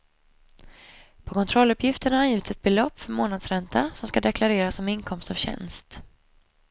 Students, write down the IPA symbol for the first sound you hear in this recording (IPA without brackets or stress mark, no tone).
pʰ